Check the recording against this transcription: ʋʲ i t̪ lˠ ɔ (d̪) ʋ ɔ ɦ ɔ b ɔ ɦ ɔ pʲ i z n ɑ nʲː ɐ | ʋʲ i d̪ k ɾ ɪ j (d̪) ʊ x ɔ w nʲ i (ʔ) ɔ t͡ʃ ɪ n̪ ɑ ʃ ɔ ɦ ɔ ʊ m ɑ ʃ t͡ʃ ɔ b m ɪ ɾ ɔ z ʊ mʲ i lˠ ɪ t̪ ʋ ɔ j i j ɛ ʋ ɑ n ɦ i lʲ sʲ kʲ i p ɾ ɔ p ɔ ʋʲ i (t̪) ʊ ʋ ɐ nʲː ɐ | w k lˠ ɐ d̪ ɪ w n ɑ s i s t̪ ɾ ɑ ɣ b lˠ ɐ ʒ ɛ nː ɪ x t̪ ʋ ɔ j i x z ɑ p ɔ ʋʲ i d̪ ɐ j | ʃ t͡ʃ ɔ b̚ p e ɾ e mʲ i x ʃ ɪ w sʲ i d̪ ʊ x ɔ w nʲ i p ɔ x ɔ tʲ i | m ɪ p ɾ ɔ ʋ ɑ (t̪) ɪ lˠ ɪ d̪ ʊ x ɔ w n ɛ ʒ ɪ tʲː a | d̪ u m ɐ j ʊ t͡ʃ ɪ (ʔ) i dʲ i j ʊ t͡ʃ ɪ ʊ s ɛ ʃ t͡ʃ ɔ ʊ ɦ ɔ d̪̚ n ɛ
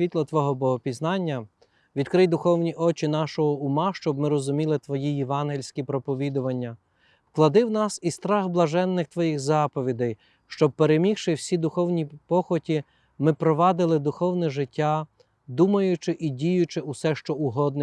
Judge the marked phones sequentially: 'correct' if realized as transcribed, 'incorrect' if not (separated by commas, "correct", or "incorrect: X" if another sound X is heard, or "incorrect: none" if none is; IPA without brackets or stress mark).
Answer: incorrect: t̪, correct, correct, incorrect: d̪, incorrect: d̪, correct